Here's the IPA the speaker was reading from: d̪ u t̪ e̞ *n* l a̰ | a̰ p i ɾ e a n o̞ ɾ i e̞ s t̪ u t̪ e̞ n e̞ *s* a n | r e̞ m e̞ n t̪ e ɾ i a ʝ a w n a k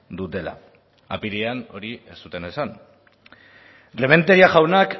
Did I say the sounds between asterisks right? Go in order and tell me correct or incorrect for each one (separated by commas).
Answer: incorrect, correct